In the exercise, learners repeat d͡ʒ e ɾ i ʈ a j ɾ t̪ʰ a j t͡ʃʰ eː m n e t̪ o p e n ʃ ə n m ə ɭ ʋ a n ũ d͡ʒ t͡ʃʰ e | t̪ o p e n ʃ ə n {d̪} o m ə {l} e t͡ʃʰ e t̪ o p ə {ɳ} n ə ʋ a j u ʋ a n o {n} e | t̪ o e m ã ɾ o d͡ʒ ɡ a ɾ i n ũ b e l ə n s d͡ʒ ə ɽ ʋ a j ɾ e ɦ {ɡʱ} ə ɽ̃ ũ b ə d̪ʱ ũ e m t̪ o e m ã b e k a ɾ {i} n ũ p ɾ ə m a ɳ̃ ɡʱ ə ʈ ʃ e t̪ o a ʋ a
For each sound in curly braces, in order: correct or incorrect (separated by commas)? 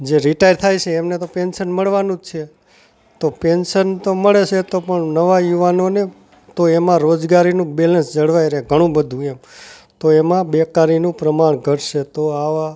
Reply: incorrect, incorrect, correct, correct, correct, correct